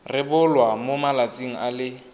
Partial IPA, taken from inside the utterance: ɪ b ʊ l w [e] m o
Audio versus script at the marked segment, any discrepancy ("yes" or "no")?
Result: yes